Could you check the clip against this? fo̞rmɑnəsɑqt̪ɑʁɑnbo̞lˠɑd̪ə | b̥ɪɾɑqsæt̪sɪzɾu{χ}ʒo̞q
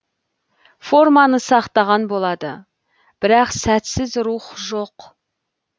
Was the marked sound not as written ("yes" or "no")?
no